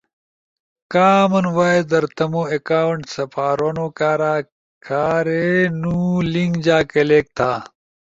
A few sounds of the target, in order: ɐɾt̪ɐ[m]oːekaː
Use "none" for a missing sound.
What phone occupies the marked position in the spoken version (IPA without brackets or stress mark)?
m